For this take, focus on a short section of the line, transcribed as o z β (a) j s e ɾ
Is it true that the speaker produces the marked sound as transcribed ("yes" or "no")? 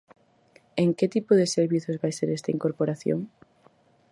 yes